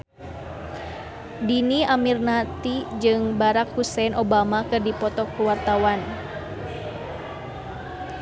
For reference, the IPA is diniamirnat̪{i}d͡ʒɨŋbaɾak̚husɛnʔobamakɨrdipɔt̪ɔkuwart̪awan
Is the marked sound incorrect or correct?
correct